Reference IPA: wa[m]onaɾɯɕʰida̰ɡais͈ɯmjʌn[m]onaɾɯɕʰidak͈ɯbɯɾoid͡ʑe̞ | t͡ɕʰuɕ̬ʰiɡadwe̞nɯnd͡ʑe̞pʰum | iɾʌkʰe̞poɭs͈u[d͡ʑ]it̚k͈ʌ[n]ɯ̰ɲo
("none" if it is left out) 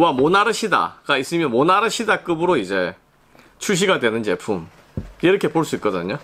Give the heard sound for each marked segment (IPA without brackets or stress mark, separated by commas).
m, m, none, d